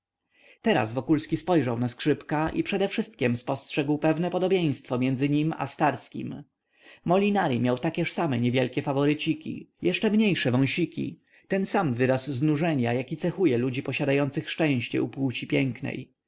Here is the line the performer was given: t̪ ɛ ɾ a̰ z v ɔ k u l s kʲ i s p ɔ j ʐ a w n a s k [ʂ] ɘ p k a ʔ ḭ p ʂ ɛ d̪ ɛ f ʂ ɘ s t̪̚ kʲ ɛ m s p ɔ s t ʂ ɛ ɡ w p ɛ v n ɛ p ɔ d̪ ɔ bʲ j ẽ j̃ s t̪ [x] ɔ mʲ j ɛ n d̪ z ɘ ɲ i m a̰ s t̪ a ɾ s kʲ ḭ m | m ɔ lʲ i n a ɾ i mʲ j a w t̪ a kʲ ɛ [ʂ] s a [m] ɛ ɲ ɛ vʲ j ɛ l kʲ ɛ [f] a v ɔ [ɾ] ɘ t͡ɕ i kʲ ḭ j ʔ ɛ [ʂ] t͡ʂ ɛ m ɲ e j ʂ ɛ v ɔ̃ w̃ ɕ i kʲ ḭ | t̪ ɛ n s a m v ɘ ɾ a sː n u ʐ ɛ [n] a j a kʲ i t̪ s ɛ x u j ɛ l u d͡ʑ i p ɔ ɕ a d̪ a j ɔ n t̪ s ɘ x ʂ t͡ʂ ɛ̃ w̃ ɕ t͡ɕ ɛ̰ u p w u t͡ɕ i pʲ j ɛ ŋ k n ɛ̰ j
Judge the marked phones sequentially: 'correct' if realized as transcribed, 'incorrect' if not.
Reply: correct, incorrect: f, correct, correct, correct, correct, correct, incorrect: ɲ

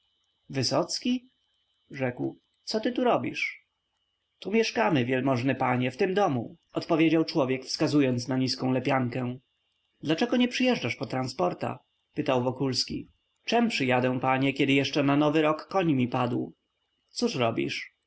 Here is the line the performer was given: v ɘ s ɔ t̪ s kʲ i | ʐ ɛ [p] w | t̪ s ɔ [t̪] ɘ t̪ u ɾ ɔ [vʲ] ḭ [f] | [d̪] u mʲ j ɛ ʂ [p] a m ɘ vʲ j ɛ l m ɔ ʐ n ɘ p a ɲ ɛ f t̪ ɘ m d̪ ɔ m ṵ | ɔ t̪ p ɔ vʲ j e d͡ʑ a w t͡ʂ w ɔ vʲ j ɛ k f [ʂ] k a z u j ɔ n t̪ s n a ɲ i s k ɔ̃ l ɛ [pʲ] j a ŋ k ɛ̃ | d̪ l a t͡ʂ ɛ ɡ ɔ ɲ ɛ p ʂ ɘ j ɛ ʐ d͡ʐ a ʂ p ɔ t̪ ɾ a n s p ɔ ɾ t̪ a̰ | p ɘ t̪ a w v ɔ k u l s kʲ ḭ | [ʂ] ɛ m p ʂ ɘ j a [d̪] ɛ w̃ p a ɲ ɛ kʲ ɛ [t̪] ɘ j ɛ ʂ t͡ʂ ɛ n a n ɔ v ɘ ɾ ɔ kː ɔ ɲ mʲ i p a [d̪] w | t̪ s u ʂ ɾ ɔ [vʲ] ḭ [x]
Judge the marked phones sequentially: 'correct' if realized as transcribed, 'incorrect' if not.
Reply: incorrect: k, correct, incorrect: bʲ, incorrect: ʂ, incorrect: t̪, incorrect: k, incorrect: s, correct, incorrect: t͡ʂ, correct, incorrect: d̪, correct, incorrect: bʲ, incorrect: ʂ

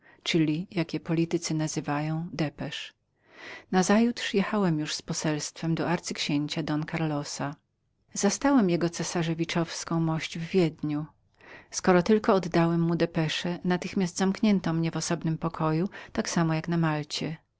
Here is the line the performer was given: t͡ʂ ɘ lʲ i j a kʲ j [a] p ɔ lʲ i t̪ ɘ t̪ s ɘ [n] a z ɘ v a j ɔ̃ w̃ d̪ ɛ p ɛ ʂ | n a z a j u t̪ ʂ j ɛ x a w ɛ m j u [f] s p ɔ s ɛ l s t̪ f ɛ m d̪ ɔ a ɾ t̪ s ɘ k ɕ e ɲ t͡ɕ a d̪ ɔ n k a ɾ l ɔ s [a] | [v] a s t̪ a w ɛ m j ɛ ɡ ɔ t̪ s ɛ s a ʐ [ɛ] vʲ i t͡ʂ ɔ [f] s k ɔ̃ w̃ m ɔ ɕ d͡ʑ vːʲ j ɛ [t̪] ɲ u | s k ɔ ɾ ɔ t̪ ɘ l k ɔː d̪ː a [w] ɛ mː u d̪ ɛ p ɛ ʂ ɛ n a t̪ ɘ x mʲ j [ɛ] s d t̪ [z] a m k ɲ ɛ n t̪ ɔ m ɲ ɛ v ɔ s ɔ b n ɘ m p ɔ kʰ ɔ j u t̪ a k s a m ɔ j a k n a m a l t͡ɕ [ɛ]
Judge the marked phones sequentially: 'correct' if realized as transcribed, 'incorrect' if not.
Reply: incorrect: ɛ, correct, incorrect: ʂ, correct, incorrect: z, correct, correct, incorrect: d̪, correct, incorrect: a, correct, correct

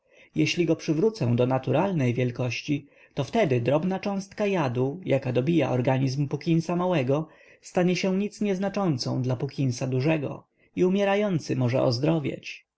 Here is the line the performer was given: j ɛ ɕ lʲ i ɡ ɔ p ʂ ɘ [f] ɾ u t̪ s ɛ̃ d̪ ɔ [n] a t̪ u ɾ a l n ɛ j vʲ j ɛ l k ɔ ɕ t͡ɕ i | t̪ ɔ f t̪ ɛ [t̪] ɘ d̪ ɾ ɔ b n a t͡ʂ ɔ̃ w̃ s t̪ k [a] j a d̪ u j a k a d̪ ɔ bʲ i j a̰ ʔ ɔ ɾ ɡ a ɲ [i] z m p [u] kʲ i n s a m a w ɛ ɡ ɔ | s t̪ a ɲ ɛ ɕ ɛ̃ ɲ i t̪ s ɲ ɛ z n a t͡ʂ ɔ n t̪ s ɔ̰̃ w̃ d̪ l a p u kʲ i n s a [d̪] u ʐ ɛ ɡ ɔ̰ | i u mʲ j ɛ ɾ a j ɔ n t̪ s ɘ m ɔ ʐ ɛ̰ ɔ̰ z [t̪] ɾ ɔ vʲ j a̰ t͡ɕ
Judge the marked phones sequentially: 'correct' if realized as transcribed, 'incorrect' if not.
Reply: incorrect: v, correct, incorrect: d̪, correct, correct, correct, correct, incorrect: d̪

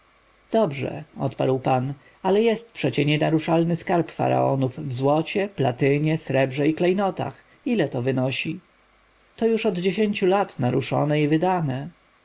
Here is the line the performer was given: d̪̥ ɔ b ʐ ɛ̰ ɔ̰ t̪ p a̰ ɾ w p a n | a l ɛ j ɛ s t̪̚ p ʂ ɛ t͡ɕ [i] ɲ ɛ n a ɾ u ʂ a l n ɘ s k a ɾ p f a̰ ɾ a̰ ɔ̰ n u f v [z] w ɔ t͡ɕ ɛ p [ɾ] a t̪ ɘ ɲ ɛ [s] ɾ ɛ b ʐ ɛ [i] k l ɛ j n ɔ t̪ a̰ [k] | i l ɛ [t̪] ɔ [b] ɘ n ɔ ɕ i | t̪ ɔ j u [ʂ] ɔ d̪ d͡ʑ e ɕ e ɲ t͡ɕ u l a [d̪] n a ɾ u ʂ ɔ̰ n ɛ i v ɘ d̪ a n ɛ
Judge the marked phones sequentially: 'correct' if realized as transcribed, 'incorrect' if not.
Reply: incorrect: ɛ, correct, incorrect: l, correct, correct, incorrect: x, correct, incorrect: v, correct, incorrect: t̪

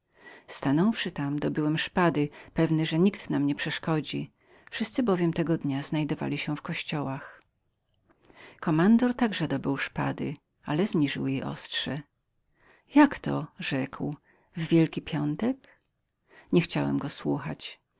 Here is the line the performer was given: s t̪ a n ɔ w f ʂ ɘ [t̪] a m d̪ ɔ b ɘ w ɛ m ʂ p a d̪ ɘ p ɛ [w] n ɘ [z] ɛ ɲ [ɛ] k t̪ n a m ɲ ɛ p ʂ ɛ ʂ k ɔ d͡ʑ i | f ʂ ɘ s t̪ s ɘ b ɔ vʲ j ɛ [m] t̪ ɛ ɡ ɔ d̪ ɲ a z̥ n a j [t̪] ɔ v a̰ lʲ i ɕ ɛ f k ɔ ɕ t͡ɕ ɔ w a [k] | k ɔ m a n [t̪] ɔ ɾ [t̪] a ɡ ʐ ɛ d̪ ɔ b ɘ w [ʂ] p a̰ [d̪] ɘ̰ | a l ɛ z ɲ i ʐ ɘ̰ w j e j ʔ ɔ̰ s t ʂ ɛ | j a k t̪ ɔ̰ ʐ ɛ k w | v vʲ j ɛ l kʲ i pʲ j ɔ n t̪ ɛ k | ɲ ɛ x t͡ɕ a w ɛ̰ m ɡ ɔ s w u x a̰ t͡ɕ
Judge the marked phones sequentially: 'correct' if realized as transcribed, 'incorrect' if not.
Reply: correct, incorrect: v, incorrect: ʐ, incorrect: i, correct, incorrect: d̪, incorrect: x, incorrect: d̪, correct, correct, correct

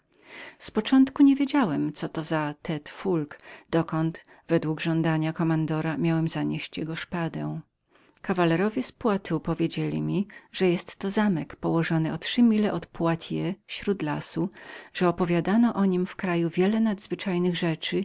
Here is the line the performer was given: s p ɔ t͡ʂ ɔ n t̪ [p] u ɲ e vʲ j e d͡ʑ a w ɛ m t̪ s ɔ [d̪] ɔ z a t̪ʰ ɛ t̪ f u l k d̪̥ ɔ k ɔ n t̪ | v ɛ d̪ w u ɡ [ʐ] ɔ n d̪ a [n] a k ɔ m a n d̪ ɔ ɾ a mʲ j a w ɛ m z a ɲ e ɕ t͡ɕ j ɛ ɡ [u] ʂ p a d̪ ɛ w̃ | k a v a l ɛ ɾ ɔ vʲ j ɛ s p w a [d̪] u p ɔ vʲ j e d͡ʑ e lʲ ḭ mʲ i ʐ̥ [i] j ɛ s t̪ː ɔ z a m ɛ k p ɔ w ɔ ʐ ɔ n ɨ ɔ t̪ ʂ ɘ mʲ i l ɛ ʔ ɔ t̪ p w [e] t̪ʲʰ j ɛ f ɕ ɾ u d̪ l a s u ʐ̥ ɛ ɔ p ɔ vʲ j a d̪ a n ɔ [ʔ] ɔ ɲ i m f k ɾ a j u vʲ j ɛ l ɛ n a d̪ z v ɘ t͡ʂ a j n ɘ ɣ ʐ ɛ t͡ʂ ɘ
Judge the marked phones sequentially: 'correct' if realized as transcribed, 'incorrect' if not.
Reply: incorrect: k, incorrect: t̪, correct, incorrect: ɲ, incorrect: ɔ, incorrect: t̪, incorrect: ɛ, incorrect: a, correct

